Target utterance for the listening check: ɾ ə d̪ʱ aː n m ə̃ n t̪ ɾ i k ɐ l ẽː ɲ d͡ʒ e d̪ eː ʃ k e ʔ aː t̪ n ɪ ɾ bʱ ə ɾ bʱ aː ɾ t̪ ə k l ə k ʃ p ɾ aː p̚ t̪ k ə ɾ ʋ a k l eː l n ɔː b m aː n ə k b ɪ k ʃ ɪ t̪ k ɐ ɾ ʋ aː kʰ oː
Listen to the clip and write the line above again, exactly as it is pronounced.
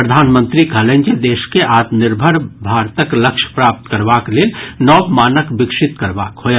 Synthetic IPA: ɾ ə d̪ʱ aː n m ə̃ n t̪ ɾ i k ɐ l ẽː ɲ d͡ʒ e d̪ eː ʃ k e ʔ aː t̪ n ɪ ɾ bʱ ə ɾ bʱ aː ɾ t̪ ə k l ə k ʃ p ɾ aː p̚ t̪ k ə ɾ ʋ a k l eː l n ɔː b m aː n ə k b ɪ k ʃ ɪ t̪ k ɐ ɾ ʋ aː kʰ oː

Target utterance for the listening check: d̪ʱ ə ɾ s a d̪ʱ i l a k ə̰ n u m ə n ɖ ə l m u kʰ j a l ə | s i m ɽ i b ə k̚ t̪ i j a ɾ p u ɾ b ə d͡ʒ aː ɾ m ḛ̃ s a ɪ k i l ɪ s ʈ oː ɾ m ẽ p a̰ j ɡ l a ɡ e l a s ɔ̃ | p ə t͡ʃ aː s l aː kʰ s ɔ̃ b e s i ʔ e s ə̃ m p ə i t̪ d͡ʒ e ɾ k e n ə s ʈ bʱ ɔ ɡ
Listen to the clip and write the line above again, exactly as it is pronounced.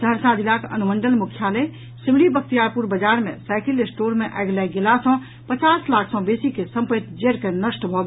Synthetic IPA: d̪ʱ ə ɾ s a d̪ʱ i l a k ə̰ n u m ə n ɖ ə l m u kʰ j a l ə | s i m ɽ i b ə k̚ t̪ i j a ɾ p u ɾ b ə d͡ʒ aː ɾ m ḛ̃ s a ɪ k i l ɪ s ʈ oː ɾ m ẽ ʔ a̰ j ɡ l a ɡ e l a s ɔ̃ | p ə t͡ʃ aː s l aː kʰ s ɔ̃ b e s i k e s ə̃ m p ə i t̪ d͡ʒ e ɾ k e n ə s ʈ bʱ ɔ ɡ

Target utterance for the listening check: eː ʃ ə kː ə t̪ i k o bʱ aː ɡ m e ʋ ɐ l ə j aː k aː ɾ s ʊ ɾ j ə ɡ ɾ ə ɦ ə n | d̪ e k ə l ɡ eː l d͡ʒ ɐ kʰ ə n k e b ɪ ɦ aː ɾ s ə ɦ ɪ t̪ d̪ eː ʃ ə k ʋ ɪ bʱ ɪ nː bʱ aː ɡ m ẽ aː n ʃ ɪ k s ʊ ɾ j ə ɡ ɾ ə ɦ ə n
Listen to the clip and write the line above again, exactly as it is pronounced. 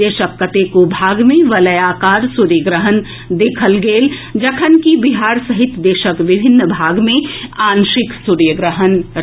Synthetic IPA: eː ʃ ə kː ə t̪ e k o bʱ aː ɡ m ẽ ʋ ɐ l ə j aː k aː ɾ s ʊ ɾ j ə ɡ ɾ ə ɦ ə n | d̪ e kʰ ə l ɡ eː l d͡ʒ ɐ kʰ ə n k i b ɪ ɦ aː ɾ s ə ɦ ɪ t̪ d̪ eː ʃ ə k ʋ ɪ bʱ ɪ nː bʱ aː ɡ m ẽ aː n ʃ ɪ k s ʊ ɾ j ə ɡ ɾ ə ɦ ə n

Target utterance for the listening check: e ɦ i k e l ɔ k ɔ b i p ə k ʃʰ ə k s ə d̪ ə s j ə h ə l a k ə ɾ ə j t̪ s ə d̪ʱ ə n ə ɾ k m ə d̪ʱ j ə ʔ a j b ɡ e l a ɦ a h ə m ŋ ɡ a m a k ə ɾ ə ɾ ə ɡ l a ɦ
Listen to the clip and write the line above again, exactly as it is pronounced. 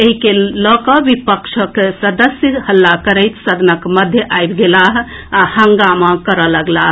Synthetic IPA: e ɦ i k e l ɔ k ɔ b i p ə k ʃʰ ə k s ə d̪ ə s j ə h ə lː a k ə ɾ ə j t̪ s ə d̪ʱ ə n ə k m ə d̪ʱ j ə ʔ a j b ɡ e l a ɦ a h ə ŋ ɡ a m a k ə ɾ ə l ə ɡ l a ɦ

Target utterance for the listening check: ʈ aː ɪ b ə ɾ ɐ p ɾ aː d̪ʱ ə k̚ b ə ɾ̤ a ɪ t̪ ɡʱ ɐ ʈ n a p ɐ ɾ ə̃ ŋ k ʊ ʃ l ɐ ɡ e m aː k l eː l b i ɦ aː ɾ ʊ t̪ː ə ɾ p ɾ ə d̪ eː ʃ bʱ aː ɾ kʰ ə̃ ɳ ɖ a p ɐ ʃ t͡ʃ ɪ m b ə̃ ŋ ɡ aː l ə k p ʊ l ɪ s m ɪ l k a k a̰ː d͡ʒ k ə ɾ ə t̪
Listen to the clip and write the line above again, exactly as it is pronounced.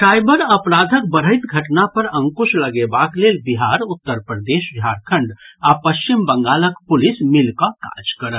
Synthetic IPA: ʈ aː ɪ b ə ɾ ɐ p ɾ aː d̪ʱ ə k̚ b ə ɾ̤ ə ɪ t̪ ɡʱ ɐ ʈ n a p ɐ ɾ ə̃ ŋ k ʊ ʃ l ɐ ɡ e b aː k l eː l b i ɦ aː ɾ ʊ t̪ː ə ɾ p ɾ ə d̪ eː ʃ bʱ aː ɾ kʰ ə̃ ɳ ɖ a p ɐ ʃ t͡ʃ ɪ m b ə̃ ŋ ɡ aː l ə k p ʊ l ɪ s m ɪ l k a k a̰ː d͡ʒ k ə ɾ ə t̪

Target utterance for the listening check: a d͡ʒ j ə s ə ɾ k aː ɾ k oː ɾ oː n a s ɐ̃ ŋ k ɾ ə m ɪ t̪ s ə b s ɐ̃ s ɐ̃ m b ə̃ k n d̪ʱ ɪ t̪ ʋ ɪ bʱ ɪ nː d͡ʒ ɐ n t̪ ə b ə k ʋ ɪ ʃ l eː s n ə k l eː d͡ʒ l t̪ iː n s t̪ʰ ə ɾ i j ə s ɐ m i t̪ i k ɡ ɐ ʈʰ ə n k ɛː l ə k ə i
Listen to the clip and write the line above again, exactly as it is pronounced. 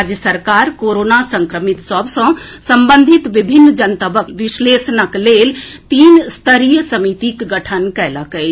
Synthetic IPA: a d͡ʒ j ə s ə ɾ k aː ɾ k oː ɾ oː n a s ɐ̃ ŋ k ɾ ə m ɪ t̪ s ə b s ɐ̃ s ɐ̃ m b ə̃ n d̪ʱ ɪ t̪ ʋ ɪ bʱ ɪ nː d͡ʒ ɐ n t̪ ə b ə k ʋ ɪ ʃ l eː s n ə k l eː l t̪ iː n s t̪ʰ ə ɾ i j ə s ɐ m i t̪ i k ɡ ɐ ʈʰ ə n k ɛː l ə k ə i

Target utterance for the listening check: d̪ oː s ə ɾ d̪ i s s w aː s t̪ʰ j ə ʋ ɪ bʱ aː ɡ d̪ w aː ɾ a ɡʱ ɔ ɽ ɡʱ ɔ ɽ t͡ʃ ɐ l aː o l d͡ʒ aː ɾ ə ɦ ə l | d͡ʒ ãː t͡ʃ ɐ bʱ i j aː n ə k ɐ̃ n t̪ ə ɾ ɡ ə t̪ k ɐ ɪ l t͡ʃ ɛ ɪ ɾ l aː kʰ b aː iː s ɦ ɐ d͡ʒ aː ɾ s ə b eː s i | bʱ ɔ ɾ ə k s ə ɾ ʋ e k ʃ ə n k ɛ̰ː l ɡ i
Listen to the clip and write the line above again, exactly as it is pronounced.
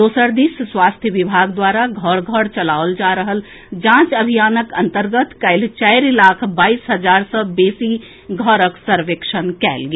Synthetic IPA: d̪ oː s ə ɾ d̪ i s s w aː s t̪ʰ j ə ʋ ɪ bʱ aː ɡ d̪ w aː ɾ a ɡʱ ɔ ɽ ɡʱ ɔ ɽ t͡ʃ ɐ l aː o l d͡ʒ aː ɾ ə ɦ ə l | d͡ʒ ãː t͡ʃ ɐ bʱ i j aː n ə k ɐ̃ n t̪ ə ɾ ɡ ə t̪ k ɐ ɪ l t͡ʃ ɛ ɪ ɾ l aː kʰ b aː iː s ɦ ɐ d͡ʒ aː ɾ s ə b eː s i | ɡʱ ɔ ɾ ə k s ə ɾ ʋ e k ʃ ə n k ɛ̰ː l ɡ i

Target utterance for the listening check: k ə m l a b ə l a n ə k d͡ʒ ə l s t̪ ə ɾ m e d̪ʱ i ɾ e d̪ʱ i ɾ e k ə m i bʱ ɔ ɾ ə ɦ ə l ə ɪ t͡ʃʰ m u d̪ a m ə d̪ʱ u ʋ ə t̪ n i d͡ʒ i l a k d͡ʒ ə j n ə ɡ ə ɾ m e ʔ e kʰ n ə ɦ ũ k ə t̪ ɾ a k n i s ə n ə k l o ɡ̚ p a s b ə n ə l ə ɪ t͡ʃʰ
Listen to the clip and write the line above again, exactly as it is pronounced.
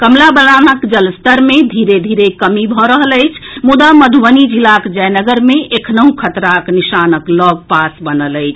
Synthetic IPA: k ə m l a b ə l a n ə k d͡ʒ ə l s t̪ ə ɾ m e d̪ʱ i ɾ e d̪ʱ i ɾ e k ə m i bʱ ɔ ɾ ə ɦ ə l ə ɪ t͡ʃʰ m u d̪ a m ə d̪ʱ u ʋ ə n i d͡ʒ i l a k d͡ʒ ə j n ə ɡ ə ɾ m e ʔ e kʰ n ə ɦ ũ kʰ ə t̪ ɾ a k n i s a n ə k l ɔ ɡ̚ p a s b ə n ə l ə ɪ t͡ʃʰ

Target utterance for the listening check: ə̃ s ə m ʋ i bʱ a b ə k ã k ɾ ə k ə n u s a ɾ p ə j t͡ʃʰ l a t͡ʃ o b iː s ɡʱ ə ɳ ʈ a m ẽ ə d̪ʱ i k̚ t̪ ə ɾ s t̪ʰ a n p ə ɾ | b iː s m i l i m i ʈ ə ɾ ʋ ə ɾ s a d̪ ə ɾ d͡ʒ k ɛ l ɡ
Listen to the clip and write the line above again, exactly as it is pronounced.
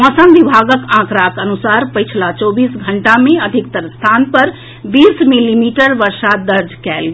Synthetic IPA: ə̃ s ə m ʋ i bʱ a ɡ ə k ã k ɾ a k ə n u s a ɾ p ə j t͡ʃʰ l a t͡ʃ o b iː s ɡʱ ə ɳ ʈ a m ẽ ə d̪ʱ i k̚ t̪ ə ɾ s t̪ʰ a n p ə ɾ | b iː s m i l i m i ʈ ə ɾ ʋ ə ɾ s a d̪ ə ɾ d͡ʒ k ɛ l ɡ

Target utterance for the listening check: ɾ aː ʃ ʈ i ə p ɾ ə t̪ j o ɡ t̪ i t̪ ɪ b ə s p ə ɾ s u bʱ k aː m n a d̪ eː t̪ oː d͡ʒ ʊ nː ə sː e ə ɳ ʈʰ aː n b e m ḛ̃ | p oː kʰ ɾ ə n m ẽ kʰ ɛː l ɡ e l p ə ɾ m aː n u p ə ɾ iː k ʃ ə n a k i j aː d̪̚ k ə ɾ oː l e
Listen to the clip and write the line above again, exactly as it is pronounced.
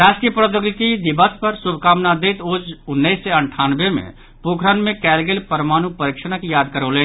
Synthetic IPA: ɾ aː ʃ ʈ i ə p ɾ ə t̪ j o ɡ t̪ i d̪ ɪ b ə s p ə ɾ s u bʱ k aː m n a d̪ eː t̪ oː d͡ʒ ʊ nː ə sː e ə ɳ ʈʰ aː n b e m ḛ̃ | p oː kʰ ɾ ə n m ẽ k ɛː l ɡ e l p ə ɾ m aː n u p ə ɾ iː k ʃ ə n a k i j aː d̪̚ k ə ɾ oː l e

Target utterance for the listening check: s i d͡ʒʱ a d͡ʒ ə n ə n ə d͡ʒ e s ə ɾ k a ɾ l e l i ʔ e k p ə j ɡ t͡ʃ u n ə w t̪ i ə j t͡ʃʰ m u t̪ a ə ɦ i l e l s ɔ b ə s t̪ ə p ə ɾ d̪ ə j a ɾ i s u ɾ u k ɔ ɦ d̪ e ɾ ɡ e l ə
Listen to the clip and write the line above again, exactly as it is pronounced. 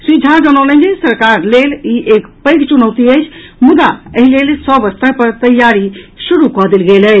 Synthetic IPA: s i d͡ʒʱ a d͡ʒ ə n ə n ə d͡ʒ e s ə ɾ k a ɾ l e l i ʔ e k p ə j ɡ t͡ʃ u n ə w t̪ i ə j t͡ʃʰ m u d̪ a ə ɦ i l e l s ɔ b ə s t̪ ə p ə ɾ t̪ ə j a ɾ i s u ɾ u k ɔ ɦ d̪ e l ɡ e l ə

